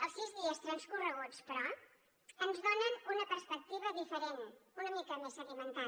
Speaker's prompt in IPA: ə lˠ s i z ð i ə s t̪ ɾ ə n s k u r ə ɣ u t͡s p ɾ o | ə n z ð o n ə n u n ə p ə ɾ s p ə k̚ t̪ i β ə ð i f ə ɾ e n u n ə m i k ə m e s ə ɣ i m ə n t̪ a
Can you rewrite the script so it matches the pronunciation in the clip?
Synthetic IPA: ə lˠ s i z ð i ə s t̪ ɾ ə n s k u r ə ɣ u t͡s p ɾ ɔ | ə n z ð o n ə n u n ə p ə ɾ s p ə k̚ t̪ i β ə ð i f ə ɾ e n u n ə m i k ə m e s ə ɣ i m ə n t̪ a